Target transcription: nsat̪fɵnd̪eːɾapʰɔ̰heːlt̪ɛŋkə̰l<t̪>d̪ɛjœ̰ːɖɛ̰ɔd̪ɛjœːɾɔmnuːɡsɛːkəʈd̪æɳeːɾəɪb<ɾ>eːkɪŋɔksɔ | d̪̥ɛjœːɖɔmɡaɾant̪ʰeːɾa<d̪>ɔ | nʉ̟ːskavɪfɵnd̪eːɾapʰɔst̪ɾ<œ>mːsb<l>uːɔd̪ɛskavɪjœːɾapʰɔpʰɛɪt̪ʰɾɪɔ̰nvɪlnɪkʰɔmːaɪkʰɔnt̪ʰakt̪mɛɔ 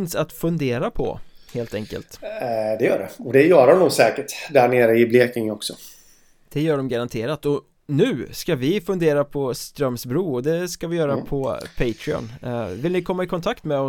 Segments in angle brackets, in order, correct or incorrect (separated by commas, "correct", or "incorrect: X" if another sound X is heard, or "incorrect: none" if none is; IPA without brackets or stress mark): correct, incorrect: l, incorrect: t̪, correct, incorrect: ɾ